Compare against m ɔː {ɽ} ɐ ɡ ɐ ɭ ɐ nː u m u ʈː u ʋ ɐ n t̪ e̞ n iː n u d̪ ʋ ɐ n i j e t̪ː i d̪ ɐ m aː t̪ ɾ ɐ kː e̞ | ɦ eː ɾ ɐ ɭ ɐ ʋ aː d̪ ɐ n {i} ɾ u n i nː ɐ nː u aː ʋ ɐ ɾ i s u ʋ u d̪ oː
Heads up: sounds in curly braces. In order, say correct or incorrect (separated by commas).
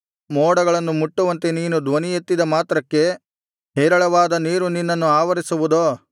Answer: correct, incorrect